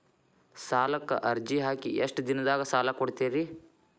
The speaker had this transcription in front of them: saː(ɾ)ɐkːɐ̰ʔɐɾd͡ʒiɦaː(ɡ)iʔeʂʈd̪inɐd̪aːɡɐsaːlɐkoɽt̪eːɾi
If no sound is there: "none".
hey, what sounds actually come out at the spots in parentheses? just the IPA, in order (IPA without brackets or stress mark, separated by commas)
l, k